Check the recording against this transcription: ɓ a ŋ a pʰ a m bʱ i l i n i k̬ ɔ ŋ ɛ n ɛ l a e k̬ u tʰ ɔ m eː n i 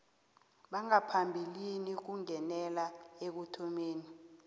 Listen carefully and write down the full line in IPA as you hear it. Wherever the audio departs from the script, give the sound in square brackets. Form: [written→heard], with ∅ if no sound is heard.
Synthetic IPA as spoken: ɓ a ŋ a pʰ a m bʱ i l i n i k̬ [ɔ→u] ŋ ɛ n ɛ l a e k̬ u tʰ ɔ m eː n i